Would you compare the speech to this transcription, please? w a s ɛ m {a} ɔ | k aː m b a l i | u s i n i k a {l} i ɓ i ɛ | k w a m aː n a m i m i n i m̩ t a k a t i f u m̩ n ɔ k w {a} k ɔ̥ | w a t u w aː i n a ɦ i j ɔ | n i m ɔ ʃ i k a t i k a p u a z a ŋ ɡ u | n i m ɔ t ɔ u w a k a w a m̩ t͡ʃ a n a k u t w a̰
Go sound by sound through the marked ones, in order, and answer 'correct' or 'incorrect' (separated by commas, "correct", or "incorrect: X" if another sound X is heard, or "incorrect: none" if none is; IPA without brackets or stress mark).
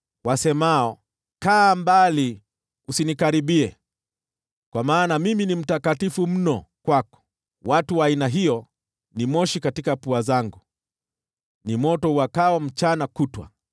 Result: correct, incorrect: ɾ, correct